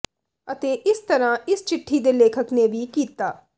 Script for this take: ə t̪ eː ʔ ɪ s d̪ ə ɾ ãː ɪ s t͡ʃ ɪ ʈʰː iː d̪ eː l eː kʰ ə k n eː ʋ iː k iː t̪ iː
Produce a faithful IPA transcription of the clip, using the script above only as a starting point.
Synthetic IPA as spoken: ə t̪ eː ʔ ɪ s t̪ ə ɾ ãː ɪ s t͡ʃ ɪ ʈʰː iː d̪ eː l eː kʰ ə k n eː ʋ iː k iː t̪ aː